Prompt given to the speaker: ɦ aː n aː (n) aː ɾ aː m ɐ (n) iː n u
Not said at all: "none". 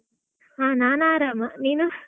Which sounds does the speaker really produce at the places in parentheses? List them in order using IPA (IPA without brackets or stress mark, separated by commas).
n, n